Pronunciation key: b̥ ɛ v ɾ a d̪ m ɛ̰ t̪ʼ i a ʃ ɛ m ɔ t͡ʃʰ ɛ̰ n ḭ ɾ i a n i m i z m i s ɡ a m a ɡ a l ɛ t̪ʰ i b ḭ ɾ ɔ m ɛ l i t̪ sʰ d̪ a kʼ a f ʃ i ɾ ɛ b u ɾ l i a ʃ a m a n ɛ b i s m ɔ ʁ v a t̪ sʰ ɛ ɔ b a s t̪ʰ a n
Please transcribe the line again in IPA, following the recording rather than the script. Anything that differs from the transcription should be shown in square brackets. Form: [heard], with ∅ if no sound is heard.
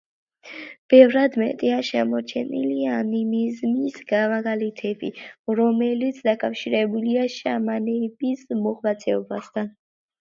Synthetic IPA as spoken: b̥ ɛ v ɾ a d̪ m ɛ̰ t̪ʼ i a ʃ ɛ m ɔ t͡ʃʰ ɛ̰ n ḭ [l] i a n i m i z m i s ɡ a m a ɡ a l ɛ t̪ʰ [ɛ] b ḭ ɾ ɔ m ɛ l i t̪ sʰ d̪ a kʼ a f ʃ i ɾ ɛ b u [∅] l i a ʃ a m a n ɛ b i s m ɔ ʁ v a t̪ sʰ ɛ ɔ b a s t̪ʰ a n